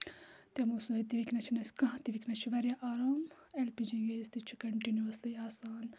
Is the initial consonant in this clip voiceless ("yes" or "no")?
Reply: yes